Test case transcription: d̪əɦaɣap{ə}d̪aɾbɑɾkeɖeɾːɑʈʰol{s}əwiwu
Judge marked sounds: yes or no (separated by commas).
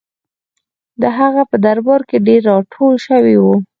yes, no